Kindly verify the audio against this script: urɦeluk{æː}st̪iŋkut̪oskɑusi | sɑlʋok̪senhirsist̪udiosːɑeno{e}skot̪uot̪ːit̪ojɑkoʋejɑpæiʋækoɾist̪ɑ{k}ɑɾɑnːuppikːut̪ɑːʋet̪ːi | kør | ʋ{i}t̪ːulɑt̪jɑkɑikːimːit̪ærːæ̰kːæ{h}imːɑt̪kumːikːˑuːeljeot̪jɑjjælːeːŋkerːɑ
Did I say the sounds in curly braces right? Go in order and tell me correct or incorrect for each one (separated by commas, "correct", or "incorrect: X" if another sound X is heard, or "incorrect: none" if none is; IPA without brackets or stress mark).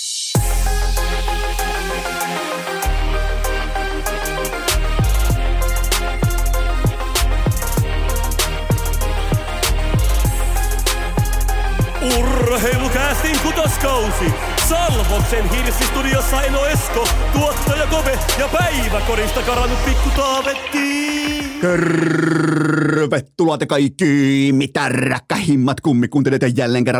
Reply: correct, correct, correct, incorrect: e, correct